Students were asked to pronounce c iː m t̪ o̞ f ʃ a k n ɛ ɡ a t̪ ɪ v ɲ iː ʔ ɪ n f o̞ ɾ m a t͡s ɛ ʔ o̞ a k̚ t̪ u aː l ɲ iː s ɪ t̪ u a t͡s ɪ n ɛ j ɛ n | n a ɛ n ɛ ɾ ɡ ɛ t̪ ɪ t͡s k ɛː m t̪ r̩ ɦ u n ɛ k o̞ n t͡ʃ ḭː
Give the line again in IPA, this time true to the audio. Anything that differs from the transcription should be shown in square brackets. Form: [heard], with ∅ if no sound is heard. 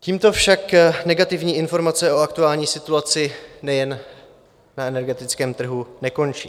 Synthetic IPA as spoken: c iː m t̪ o̞ f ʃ a k n ɛ ɡ a t̪ ɪ v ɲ iː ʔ ɪ n f o̞ ɾ m a t͡s ɛ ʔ o̞ a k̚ t̪ u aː l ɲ iː s ɪ t̪ u a t͡s ɪ n ɛ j ɛ n | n a ɛ n ɛ ɾ ɡ ɛ t̪ ɪ t͡s k ɛː m t̪ r̩ ɦ u n ɛ k o̞ n t͡ʃ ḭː